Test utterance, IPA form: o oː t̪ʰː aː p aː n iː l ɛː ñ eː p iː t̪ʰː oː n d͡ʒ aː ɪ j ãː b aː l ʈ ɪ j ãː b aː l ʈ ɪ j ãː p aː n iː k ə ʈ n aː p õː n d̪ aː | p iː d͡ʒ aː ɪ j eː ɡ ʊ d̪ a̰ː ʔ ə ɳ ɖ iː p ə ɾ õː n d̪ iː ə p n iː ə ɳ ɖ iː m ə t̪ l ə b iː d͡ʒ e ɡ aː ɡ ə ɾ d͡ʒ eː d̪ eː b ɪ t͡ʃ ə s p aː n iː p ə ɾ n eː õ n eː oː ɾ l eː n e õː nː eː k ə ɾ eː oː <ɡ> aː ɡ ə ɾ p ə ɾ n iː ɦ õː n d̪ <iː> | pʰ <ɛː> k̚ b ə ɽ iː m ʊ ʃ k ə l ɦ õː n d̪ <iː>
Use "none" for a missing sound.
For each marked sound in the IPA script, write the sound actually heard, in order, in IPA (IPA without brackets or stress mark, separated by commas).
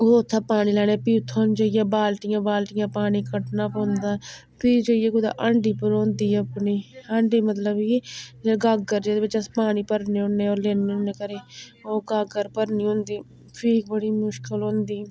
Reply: ɡ, iː, iː, iː